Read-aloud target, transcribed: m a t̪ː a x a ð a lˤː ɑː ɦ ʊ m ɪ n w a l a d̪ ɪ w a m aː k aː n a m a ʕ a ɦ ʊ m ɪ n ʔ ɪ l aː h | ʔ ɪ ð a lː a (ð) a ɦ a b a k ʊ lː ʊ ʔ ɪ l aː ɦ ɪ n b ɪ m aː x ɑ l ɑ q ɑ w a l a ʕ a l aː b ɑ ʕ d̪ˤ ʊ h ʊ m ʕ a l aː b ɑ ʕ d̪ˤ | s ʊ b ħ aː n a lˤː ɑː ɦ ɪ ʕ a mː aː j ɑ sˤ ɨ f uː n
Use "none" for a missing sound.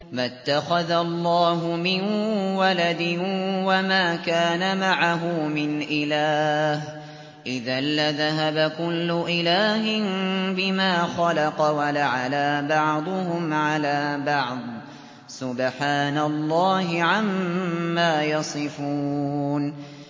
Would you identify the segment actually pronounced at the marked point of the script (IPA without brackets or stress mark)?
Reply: ð